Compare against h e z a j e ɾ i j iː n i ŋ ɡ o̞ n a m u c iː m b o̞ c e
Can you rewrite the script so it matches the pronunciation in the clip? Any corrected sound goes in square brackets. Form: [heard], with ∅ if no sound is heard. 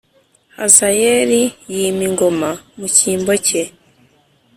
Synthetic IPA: h [a] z a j e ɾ i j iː [m] i ŋ ɡ o̞ [m] a m u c iː m b o̞ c e

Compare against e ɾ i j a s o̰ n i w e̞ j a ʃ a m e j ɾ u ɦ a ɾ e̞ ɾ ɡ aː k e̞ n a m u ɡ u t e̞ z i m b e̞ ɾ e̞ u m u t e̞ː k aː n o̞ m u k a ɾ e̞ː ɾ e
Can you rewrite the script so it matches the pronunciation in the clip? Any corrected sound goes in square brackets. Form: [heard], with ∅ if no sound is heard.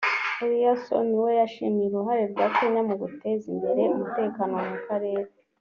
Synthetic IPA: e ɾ i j a s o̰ n i w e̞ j a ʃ [i] m [i] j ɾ u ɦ a ɾ e̞ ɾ ɡ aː k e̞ [ɲ] a m u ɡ u t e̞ z i m b e̞ ɾ e̞ u m u t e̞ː k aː n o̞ m u k a ɾ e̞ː ɾ e

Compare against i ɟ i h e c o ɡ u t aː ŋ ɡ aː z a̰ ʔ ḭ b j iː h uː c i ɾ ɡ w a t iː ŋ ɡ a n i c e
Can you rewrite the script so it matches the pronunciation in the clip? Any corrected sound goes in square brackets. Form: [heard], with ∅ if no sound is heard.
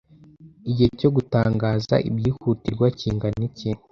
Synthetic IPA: i ɟ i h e c o ɡ u t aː ŋ ɡ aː z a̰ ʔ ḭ b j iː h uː [t] i ɾ ɡ w a [c] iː ŋ ɡ a n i c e

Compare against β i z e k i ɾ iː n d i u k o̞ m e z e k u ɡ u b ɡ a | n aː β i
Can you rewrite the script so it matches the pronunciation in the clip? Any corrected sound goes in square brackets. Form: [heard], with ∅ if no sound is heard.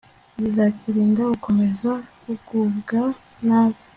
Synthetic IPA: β i z [a] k i ɾ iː n d [a] u k o̞ m e z [a] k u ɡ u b ɡ a | n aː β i

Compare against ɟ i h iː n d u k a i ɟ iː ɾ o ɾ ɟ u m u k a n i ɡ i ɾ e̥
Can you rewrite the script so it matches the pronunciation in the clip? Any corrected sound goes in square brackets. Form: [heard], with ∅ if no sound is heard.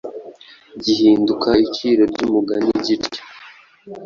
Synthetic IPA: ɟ i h iː n d u k a i [c] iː ɾ o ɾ ɟ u m u [ɡ] a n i [ɟ] i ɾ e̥

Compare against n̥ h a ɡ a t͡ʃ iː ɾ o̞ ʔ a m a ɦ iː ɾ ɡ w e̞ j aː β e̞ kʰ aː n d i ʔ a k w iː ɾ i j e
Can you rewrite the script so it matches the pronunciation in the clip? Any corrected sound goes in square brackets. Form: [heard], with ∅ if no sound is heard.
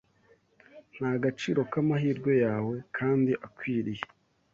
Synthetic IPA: n̥ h a ɡ a t͡ʃ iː ɾ o̞ [k] a m a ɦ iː ɾ ɡ w e̞ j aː [w] e̞ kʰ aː n d i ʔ a k w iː ɾ i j e

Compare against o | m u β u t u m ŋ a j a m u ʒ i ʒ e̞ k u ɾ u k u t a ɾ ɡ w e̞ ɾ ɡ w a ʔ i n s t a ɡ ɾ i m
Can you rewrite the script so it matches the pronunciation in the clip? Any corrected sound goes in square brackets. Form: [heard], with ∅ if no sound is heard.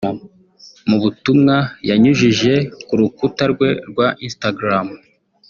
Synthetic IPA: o | m u β u t u m ŋ a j a [ɲ] u ʒ i ʒ e̞ k u ɾ u k u t a ɾ ɡ w e̞ ɾ ɡ w a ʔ i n s t a ɡ ɾ [a] m

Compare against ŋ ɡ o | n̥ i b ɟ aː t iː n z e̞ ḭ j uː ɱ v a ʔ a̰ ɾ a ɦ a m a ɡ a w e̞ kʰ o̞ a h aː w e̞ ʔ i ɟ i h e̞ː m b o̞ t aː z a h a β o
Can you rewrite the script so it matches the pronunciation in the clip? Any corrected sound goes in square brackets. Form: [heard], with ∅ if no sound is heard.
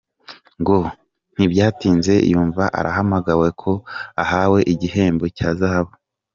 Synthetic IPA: ŋ ɡ o | n̥ i b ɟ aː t iː n z e̞ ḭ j uː ɱ v a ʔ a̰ ɾ a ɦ a m a ɡ a w e̞ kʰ o̞ a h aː w e̞ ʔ i ɟ i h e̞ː m b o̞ [c] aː z a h a β o

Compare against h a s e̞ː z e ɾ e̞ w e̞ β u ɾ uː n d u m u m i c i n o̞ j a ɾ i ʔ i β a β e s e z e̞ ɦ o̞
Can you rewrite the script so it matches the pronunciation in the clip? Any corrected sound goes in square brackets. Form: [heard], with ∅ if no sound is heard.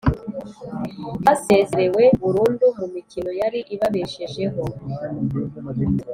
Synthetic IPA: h a s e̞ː z e ɾ e̞ w e̞ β u ɾ uː n d u m u m i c i n o̞ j a ɾ i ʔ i β a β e [ʃ] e [ʒ] e̞ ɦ o̞

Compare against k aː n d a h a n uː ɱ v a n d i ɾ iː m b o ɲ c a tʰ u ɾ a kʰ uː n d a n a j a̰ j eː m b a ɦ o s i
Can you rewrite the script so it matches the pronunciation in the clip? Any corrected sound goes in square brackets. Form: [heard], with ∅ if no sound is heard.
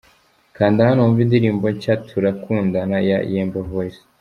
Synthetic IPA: k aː n d a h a n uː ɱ v [i] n d i ɾ iː m b o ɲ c a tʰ u ɾ a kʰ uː n d a n a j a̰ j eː m b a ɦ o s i

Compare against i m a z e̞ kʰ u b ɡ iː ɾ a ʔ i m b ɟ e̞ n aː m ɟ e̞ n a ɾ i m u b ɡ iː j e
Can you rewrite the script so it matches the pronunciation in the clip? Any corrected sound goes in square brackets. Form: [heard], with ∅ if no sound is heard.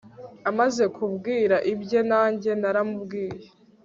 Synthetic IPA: [a] m a z e̞ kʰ u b ɡ iː ɾ a ʔ i [∅] b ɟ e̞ n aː [ɲ] ɟ e̞ n a ɾ [a] m u b ɡ iː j e

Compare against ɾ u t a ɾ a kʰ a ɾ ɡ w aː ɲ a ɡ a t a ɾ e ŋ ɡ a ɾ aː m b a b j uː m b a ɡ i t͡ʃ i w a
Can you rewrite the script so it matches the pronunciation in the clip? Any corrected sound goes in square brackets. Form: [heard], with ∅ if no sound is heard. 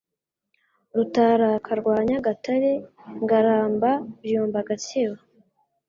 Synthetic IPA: ɾ u t a ɾ a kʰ a ɾ ɡ w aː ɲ a ɡ a t a ɾ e ŋ ɡ a ɾ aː m b a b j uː m b a ɡ [a] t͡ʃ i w a

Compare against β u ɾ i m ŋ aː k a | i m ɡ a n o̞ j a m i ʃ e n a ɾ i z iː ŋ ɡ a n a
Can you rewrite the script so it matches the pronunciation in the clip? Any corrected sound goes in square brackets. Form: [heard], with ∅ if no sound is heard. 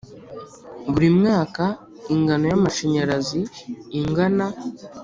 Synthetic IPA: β u ɾ i m ŋ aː k a | i [ŋ] ɡ a n o̞ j a m [a] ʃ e [ɲ] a ɾ [a] z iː ŋ ɡ a n a

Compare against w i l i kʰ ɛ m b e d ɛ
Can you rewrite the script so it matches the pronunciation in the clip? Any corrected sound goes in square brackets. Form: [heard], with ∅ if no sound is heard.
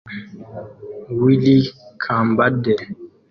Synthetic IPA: w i l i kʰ [a] m b [a] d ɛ

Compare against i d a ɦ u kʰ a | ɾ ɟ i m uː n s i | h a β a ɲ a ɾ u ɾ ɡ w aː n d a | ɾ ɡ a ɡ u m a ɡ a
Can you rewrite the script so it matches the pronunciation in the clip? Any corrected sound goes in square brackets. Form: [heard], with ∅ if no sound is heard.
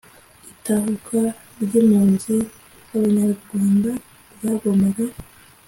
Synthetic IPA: i [t] a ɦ u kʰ a | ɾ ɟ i m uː n [z] i | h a β a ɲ a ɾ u ɾ ɡ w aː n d a | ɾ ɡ a ɡ [o] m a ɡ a

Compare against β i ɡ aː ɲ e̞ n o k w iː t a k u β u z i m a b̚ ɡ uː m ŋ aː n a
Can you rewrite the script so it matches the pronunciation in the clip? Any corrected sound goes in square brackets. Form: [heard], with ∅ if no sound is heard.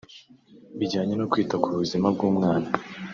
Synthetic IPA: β i [ɟ] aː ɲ e̞ n o k w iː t a k u β u z i m a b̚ ɡ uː m ŋ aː n a

